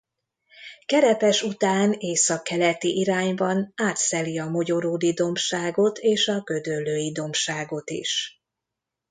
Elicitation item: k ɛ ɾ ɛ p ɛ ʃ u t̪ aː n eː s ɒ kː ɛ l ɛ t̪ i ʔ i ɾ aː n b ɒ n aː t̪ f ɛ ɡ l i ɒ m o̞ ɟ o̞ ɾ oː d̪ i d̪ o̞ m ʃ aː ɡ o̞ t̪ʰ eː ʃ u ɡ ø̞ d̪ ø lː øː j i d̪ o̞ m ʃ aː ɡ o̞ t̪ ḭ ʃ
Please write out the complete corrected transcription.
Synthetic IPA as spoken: k ɛ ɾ ɛ p ɛ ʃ u t̪ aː n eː s ɒ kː ɛ l ɛ t̪ i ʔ i ɾ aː ɲ b ɒ n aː t̪ s ɛ l i ɒ m o̞ ɟ o̞ ɾ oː d̪ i d̪ o̞ m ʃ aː ɡ o̞ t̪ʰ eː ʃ ɒ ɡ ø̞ d̪ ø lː øː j i d̪ o̞ m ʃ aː ɡ o̞ t̪ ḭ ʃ